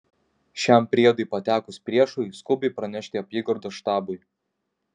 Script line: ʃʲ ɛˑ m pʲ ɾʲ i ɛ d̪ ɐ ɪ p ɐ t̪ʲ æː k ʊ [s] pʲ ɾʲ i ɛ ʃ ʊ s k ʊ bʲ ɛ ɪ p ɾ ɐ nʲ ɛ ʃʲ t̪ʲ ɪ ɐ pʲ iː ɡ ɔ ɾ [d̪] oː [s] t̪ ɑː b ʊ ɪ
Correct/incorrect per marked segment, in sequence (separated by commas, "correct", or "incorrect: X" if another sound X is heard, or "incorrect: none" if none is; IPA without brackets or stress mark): correct, correct, incorrect: ʃ